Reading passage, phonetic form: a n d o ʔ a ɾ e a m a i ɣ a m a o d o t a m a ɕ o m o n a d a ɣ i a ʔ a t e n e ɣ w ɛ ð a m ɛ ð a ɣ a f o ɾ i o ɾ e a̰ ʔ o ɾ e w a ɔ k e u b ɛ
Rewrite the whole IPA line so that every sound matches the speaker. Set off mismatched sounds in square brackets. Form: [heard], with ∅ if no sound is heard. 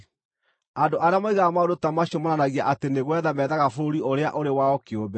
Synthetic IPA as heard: a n d o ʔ a ɾ e a m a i ɣ a m a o d o t a m a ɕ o m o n a [n] a ɣ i a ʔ a t e n e ɣ w ɛ ð a m ɛ ð a ɣ a f o ɾ i o ɾ e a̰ ʔ o ɾ e w a ɔ k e [o] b ɛ